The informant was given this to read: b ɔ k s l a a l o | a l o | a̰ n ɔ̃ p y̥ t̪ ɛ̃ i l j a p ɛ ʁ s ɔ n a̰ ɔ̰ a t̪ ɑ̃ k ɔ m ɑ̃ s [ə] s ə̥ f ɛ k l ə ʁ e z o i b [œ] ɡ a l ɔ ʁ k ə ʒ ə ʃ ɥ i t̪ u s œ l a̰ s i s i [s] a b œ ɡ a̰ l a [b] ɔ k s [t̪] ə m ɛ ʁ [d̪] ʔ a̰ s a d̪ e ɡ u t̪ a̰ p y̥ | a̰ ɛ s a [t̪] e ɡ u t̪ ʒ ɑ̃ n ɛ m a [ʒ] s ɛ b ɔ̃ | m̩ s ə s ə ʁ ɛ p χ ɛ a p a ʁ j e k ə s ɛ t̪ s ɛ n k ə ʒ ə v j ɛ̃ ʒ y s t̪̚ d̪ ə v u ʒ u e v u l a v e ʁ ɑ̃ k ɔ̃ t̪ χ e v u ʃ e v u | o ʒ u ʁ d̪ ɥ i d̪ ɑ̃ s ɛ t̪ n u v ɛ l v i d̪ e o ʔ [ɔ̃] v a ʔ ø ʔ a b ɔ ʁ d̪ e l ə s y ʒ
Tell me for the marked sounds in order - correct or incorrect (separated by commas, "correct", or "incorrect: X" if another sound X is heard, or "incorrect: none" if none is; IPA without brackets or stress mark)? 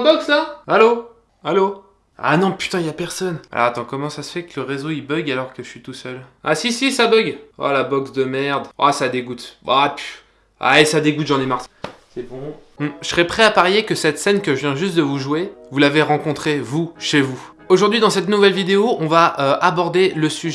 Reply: incorrect: a, correct, correct, correct, incorrect: d̪, correct, incorrect: d̪, incorrect: ʁ, correct